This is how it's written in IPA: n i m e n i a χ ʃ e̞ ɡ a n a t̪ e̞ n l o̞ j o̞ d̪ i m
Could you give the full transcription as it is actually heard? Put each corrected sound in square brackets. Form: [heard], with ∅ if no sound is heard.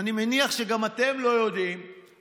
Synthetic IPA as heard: n i m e n i a χ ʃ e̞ ɡ a [m] a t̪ e̞ [m] l o̞ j o̞ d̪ i m